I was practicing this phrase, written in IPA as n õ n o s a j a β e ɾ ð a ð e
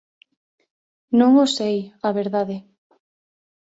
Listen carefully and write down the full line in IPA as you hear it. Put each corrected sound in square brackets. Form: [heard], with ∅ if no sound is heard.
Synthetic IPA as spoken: n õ [ŋ] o s [e] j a β e ɾ ð a ð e